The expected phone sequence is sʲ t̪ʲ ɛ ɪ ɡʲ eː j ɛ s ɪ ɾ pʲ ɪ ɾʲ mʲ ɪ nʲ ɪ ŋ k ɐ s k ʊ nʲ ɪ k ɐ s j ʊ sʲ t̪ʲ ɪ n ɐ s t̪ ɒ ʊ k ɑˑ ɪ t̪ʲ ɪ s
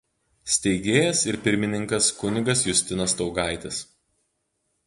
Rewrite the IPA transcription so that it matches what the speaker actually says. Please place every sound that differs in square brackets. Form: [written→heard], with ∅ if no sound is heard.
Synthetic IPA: sʲ t̪ʲ ɛ ɪ ɡʲ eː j ɛ s ɪ ɾ pʲ ɪ ɾʲ mʲ ɪ nʲ ɪ ŋ k ɐ s k ʊ nʲ ɪ [k→ɡ] ɐ s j ʊ sʲ t̪ʲ ɪ n ɐ s t̪ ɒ ʊ [k→ɡ] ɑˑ ɪ t̪ʲ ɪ s